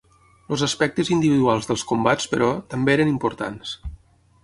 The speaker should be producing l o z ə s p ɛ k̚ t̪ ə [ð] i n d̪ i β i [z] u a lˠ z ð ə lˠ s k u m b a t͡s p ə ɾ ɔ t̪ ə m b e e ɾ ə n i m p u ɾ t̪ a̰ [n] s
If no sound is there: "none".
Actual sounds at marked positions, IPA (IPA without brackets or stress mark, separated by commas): z, ð, n